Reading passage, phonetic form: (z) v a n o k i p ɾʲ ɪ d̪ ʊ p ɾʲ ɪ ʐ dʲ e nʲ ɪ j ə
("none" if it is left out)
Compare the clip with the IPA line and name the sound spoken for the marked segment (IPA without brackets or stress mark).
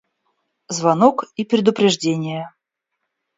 z